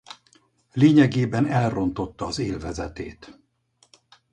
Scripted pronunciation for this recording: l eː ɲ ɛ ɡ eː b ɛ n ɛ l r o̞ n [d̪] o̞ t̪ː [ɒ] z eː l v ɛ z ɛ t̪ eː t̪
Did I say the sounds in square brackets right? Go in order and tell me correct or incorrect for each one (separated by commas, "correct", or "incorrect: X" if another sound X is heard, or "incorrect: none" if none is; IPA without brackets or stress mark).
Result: incorrect: t̪, incorrect: ɒː